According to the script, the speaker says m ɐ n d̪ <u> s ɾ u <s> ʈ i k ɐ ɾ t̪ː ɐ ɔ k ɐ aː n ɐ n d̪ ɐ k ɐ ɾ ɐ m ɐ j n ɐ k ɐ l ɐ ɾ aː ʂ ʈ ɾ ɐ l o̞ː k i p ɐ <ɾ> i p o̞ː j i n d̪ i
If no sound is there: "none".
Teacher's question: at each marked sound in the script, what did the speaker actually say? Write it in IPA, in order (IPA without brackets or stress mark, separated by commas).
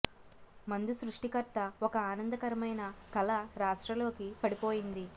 u, ʂ, ɽ